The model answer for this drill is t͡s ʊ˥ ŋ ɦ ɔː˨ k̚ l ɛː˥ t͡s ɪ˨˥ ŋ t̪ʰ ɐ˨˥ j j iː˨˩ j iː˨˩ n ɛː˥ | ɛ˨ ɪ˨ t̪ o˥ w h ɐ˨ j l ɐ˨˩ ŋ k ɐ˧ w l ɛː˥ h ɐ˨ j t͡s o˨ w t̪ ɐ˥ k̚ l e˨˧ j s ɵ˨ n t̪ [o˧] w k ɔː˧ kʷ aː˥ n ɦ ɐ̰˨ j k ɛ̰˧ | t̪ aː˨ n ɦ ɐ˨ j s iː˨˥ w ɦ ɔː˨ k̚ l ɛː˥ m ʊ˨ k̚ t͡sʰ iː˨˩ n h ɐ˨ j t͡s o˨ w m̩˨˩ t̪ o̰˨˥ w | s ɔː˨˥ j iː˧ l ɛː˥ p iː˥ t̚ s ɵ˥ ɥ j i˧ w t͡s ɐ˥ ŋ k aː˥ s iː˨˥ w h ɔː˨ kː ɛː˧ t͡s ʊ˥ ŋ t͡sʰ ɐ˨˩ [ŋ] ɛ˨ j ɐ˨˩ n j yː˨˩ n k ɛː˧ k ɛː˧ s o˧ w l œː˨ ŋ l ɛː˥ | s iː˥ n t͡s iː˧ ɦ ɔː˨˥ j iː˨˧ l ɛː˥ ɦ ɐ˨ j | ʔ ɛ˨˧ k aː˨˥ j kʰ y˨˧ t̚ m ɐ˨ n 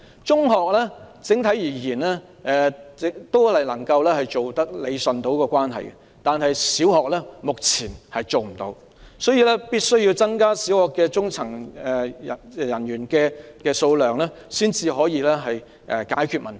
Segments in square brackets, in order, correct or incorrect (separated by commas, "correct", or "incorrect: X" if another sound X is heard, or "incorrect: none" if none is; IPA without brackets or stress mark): incorrect: o˨˥, correct